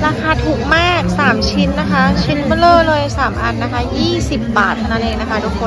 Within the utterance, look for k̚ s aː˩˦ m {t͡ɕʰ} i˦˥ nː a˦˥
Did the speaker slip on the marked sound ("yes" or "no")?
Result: no